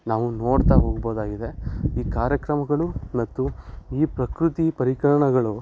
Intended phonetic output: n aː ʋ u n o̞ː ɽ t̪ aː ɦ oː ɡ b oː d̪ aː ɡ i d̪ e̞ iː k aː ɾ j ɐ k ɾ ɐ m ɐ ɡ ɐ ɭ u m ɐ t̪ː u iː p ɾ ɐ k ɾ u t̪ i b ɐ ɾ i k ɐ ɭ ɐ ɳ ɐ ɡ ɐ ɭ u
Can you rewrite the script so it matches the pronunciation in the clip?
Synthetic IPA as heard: n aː ʋ u n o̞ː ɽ t̪ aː ɦ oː ɡ b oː d̪ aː ɡ i d̪ e̞ iː k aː ɾ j ɐ k ɾ ɐ m ɐ ɡ ɐ ɭ u m ɐ t̪ː u iː p ɾ ɐ k ɾ u t̪ i p ɐ ɾ i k ɐ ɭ ɐ ɳ ɐ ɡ ɐ ɭ u